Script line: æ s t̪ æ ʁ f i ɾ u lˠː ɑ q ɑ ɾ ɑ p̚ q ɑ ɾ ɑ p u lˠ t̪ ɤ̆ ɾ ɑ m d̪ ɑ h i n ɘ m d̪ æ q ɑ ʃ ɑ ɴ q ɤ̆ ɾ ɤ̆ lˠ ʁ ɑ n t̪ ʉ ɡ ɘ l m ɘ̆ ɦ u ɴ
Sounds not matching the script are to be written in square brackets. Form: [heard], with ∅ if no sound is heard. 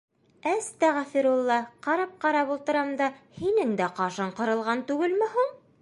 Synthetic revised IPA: æ s t̪ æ ʁ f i ɾ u lˠː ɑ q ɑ ɾ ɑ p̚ q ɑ ɾ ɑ p u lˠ t̪ ɤ̆ ɾ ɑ m d̪ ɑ h i n ɘ [ŋ] d̪ æ q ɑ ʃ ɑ ɴ q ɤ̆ ɾ ɤ̆ lˠ ʁ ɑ n t̪ ʉ ɡ ɘ l m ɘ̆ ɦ u ɴ